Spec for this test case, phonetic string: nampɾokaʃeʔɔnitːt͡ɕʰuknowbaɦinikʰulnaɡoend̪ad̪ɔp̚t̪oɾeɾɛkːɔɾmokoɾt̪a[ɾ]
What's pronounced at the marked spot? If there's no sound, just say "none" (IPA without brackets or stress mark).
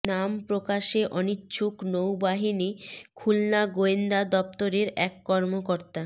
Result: none